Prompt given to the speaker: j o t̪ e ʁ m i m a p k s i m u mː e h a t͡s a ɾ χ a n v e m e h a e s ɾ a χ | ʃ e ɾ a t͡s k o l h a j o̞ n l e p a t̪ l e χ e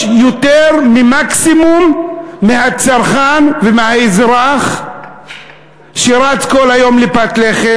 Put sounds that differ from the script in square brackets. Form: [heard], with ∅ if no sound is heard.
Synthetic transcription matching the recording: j o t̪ e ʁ m i m a [∅] k s i m u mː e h a t͡s a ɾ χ a n v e m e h a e [z] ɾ a χ | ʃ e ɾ a t͡s k o l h a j o̞ [m] l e p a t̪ l e χ e